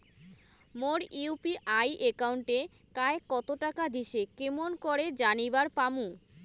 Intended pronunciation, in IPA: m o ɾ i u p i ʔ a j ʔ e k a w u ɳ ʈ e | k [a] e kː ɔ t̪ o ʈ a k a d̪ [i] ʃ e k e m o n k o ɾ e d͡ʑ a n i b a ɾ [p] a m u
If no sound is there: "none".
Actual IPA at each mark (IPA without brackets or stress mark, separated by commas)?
a, i, p